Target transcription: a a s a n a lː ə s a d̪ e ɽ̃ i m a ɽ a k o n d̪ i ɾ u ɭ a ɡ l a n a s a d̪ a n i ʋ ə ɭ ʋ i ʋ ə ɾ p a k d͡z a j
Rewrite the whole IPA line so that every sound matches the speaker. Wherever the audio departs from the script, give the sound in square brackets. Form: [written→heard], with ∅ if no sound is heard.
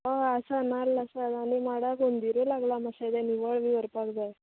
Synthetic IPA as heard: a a s a n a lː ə s a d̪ [e→a] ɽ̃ i m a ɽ a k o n d̪ i ɾ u [ɭ→l] a ɡ l a [n→m] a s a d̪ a n i ʋ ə ɭ ʋ i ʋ ə ɾ p a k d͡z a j